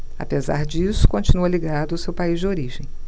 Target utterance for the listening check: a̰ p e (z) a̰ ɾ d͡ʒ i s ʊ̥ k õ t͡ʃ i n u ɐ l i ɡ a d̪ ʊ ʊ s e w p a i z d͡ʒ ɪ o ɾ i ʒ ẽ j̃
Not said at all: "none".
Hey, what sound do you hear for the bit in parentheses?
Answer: z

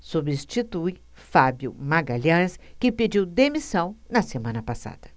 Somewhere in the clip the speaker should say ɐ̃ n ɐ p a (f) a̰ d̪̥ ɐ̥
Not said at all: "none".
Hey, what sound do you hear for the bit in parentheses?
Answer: s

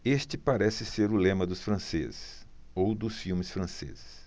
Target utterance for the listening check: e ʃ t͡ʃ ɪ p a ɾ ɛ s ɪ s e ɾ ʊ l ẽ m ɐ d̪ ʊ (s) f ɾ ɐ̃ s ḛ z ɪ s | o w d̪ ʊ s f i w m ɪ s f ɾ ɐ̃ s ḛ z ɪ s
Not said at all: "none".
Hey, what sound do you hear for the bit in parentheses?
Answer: s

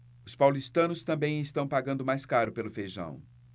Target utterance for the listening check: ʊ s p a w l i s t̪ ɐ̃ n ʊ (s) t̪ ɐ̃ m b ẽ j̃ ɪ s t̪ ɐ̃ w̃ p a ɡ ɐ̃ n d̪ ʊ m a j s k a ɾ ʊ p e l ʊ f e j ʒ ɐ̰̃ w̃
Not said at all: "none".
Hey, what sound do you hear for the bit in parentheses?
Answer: s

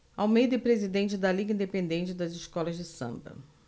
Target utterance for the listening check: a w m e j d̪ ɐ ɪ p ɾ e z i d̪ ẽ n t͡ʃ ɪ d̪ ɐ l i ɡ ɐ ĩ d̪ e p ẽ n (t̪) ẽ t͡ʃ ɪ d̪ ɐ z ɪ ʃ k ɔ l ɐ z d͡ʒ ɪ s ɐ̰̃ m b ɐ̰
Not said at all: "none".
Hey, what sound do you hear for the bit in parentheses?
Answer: d̪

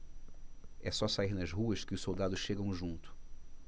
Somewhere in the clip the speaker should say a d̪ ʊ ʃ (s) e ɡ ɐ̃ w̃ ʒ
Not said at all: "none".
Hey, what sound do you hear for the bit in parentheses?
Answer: ʃ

